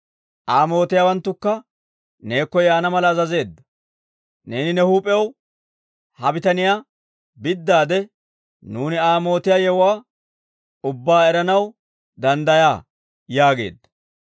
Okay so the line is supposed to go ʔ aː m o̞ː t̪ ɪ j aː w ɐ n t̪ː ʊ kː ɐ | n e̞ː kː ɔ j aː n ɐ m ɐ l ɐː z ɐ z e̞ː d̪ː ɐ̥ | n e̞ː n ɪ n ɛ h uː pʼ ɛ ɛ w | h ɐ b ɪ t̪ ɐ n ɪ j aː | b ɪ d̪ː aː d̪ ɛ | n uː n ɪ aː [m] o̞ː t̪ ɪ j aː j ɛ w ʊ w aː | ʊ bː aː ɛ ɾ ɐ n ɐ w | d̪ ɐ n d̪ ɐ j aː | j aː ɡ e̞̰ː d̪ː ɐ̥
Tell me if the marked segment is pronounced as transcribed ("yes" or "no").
yes